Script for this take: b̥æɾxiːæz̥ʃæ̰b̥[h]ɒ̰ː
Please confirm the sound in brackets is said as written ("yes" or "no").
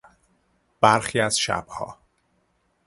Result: yes